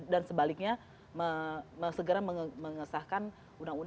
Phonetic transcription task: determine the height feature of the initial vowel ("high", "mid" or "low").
low